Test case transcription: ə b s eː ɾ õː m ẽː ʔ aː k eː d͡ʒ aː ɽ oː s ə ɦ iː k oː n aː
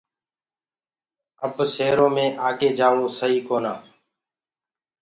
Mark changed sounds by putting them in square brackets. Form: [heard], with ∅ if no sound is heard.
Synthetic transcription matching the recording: ə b s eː ɾ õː m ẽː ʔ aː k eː d͡ʒ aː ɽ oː s ə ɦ iː k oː n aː